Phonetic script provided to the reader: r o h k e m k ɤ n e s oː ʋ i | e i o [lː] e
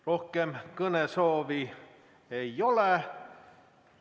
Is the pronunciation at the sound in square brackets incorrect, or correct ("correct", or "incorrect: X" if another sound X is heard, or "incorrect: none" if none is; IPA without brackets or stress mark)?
incorrect: l